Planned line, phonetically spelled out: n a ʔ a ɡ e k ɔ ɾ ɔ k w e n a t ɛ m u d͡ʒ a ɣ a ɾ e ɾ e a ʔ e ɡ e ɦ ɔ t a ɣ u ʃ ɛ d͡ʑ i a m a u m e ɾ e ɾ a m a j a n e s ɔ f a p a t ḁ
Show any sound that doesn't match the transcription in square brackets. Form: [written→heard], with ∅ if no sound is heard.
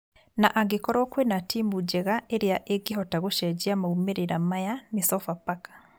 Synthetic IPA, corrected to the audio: n a ʔ a ɡ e k ɔ ɾ ɔ k w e n a t [ɛ→i] m u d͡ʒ [a→ɛ] ɣ a [ɾ→∅] e ɾ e a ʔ e ɡ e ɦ ɔ t a ɣ [u→o] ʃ ɛ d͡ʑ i a m a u m e ɾ e ɾ a m a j a n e s ɔ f a p a [t→k] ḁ